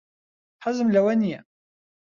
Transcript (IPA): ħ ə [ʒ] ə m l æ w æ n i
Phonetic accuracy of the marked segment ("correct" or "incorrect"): incorrect